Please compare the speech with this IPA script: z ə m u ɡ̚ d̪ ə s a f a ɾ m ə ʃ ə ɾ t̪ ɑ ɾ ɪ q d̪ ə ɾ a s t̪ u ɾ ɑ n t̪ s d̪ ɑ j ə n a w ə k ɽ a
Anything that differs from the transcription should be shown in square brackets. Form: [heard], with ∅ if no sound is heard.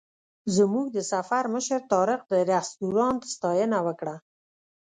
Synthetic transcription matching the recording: z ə m u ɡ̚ d̪ ə s a f a ɾ m ə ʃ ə ɾ t̪ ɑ ɾ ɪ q d̪ ə ɾ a s t̪ u ɾ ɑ n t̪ s [t̪] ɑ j ə n a w ə k ɽ a

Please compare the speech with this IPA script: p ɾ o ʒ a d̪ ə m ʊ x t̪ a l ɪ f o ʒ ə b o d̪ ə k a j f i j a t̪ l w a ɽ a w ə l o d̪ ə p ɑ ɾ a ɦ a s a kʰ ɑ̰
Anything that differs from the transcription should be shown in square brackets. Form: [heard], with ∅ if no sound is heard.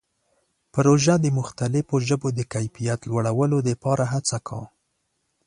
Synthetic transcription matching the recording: p ɾ o ʒ a d̪ ə m ʊ x t̪ a l ɪ f o ʒ ə b o d̪ ə k a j f i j a t̪ l w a ɽ a w ə l o d̪ ə p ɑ ɾ a ɦ a [t͡s] a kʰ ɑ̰

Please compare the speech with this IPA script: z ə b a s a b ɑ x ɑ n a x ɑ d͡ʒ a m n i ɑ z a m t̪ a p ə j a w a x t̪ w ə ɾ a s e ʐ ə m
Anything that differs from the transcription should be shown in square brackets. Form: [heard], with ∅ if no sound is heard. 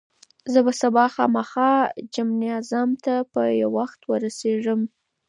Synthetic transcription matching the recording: z ə b a s a b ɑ x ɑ [m] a x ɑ d͡ʒ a m n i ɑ z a m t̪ a p ə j a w a x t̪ w ə ɾ a s e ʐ ə m

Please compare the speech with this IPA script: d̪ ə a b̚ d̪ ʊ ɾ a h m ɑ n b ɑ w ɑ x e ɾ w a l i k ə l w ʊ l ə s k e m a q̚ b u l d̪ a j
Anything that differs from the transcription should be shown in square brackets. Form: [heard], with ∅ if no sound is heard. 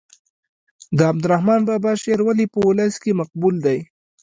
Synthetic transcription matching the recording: d̪ ə a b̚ d̪ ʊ ɾ a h m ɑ n b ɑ [b] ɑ [ʃ] e ɾ w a l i [p] ə [∅] w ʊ l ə s k e m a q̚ b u l d̪ a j

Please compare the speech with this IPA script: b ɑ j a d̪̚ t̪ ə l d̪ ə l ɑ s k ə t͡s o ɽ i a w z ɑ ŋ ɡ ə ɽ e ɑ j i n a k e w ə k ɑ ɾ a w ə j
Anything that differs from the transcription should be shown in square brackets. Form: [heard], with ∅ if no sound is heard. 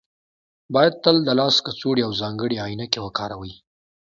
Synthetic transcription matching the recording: b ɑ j a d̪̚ t̪ ə l d̪ ə l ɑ s k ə t͡s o ɽ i a w z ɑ ŋ ɡ ə ɽ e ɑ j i n a k e w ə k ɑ ɾ a w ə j

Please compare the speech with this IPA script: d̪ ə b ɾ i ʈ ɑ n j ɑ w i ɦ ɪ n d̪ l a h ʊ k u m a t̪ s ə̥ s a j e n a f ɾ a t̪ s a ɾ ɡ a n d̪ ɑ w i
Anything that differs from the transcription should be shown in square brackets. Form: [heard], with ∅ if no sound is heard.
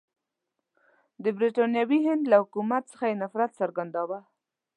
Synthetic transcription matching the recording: d̪ ə b ɾ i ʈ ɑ n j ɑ w i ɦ ɪ n d̪ l a h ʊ k u m a t̪ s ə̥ [x] a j e n a f ɾ a t̪ s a ɾ ɡ a n d̪ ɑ w [a]

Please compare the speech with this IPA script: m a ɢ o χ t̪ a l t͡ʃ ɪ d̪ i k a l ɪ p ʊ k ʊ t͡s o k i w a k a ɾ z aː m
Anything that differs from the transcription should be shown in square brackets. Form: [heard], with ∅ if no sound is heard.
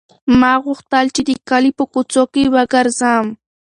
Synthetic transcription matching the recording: m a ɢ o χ t̪ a l t͡ʃ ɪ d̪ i k a l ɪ p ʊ k ʊ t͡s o k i w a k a ɾ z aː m

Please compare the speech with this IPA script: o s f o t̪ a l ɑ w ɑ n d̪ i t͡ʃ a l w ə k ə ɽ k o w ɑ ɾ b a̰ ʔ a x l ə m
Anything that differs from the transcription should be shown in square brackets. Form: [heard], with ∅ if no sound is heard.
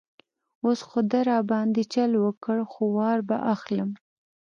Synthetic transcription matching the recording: o s [x] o [d̪] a [ɾ] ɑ [b] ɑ n d̪ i t͡ʃ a l w ə k ə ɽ [x] o w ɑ ɾ b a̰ ʔ a x l ə m

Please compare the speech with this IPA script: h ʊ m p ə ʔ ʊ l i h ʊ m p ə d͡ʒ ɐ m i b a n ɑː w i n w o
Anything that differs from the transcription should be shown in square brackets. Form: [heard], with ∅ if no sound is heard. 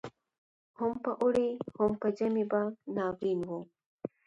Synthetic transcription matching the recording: h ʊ m p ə ʔ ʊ [ɽ] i h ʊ m p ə d͡ʒ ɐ m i b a n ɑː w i n w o

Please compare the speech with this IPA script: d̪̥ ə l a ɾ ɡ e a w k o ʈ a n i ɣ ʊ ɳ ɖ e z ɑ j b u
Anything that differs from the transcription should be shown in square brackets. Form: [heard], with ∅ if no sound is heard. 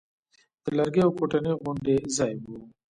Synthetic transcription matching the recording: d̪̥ ə l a ɾ ɡ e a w k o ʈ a n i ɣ ʊ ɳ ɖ e z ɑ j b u

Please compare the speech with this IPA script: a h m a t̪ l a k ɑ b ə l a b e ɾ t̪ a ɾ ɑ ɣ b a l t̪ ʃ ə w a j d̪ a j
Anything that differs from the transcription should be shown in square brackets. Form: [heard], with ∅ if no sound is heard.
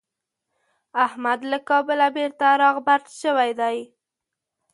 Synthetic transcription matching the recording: a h m a [d̪] l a k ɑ b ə l a b e ɾ t̪ a ɾ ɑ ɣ b a [ɾ] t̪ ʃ ə w a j d̪ a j

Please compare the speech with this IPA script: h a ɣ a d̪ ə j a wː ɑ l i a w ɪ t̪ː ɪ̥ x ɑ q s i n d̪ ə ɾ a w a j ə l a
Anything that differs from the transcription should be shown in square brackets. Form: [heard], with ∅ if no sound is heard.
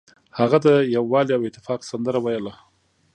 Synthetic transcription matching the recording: h a ɣ a d̪ ə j a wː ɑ l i a w ɪ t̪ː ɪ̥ [f] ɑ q s [a] n d̪ ə ɾ a w a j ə l a

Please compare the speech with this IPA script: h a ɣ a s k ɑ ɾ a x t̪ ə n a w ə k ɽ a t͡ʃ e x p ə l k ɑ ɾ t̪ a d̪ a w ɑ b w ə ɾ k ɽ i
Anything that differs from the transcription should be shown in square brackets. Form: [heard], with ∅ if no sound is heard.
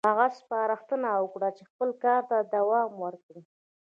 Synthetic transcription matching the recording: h a ɣ a s [p] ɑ ɾ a x t̪ ə n a w ə k ɽ a t͡ʃ e x p ə l k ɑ ɾ t̪ a d̪ a w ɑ [m] w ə ɾ k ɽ i

